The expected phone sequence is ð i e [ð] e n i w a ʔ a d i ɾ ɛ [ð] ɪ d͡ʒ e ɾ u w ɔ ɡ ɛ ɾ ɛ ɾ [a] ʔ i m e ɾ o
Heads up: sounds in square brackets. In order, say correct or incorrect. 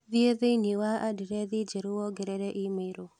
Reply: correct, correct, incorrect

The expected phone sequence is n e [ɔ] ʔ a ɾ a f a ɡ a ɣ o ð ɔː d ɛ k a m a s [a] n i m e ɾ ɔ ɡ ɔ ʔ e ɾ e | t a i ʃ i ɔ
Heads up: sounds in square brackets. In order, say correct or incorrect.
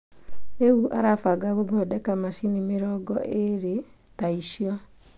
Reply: incorrect, incorrect

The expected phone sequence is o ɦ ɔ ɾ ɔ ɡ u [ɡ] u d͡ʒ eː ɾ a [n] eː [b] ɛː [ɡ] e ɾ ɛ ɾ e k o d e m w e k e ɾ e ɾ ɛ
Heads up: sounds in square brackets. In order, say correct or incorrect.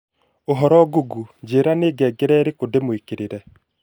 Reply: correct, correct, incorrect, correct

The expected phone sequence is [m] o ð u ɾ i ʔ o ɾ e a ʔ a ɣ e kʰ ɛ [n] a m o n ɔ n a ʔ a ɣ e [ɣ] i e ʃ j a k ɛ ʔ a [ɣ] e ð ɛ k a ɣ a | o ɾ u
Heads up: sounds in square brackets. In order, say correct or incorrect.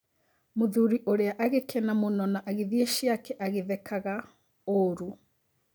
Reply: correct, correct, incorrect, correct

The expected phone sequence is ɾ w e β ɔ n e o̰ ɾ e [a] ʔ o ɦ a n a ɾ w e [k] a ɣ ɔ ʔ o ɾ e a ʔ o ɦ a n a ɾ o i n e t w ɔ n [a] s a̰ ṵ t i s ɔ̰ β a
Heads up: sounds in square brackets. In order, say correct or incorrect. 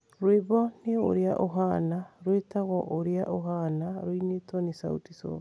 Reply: correct, incorrect, incorrect

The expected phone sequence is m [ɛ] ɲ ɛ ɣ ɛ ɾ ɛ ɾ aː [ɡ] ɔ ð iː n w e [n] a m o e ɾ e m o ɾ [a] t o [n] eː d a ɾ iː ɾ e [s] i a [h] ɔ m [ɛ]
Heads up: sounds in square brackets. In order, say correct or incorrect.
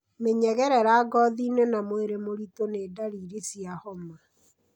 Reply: incorrect, correct, correct, incorrect, correct, correct, correct, incorrect

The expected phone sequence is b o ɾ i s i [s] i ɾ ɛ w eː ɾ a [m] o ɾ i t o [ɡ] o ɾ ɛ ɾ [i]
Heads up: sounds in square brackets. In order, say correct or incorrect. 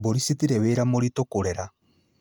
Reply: incorrect, correct, incorrect, incorrect

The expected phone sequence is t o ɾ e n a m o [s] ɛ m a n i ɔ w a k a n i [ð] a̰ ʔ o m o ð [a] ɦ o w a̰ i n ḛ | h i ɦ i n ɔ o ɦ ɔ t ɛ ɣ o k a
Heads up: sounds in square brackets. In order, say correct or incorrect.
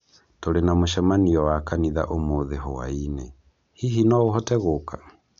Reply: incorrect, correct, incorrect

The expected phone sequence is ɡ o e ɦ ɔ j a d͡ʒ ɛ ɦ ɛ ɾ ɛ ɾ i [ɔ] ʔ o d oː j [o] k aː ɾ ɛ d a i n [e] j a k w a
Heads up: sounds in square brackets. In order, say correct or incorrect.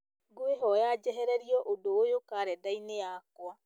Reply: correct, correct, correct

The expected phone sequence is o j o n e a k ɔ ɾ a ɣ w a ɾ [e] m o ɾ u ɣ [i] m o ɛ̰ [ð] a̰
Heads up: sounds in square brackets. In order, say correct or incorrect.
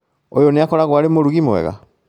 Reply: correct, correct, incorrect

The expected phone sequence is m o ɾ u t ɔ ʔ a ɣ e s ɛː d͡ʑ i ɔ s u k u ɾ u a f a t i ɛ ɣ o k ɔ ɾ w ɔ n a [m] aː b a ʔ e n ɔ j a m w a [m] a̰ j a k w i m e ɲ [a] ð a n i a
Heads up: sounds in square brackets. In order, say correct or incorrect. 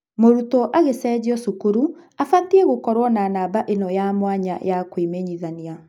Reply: incorrect, incorrect, incorrect

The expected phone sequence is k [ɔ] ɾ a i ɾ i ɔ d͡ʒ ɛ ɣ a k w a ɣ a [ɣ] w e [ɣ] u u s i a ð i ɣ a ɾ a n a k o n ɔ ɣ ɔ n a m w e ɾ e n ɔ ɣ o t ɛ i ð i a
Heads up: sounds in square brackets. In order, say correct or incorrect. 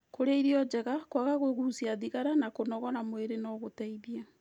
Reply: incorrect, correct, correct

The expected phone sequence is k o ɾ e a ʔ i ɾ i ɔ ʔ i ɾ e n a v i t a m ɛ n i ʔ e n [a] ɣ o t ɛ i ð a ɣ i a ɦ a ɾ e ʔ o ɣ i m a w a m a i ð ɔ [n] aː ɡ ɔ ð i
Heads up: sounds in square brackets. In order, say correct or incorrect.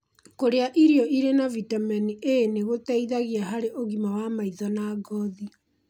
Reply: incorrect, correct

